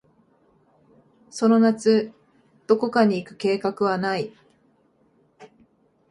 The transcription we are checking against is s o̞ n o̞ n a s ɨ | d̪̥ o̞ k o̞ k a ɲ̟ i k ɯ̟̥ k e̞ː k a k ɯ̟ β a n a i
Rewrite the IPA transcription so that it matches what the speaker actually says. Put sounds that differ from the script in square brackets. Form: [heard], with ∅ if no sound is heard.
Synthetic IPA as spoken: s o̞ n o̞ n a [t͡s] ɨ | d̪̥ o̞ k o̞ k a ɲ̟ [iː] k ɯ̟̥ k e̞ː k a k ɯ̟ β a n a i